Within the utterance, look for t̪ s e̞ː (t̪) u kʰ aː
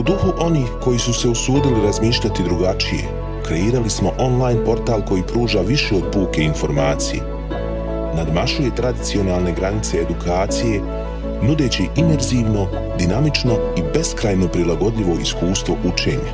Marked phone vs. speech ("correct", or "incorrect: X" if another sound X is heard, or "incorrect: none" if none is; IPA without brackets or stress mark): incorrect: d̪